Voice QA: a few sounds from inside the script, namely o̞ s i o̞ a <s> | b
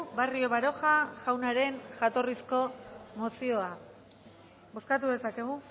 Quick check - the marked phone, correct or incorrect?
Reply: incorrect: none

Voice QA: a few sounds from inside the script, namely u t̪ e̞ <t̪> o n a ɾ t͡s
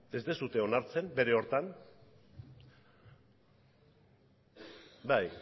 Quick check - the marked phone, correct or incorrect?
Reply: incorrect: none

